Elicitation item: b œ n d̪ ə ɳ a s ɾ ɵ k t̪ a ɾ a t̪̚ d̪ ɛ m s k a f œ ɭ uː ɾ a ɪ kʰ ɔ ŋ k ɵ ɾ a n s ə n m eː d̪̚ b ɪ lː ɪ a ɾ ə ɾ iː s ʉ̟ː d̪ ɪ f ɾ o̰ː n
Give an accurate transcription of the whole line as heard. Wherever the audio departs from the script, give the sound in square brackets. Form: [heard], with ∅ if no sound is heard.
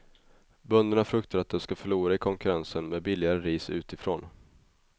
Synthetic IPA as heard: b œ n d̪ ə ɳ a [f] ɾ ɵ k t̪ a ɾ a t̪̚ d̪ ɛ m s k a f œ ɭ uː ɾ a ɪ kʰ ɔ ŋ k ɵ ɾ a n s ə n m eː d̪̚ b ɪ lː ɪ a ɾ ə ɾ iː s ʉ̟ː [t̪] ɪ f ɾ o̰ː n